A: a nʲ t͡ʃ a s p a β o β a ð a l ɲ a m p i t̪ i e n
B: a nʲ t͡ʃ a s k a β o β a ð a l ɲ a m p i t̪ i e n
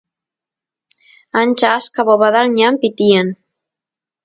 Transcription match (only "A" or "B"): B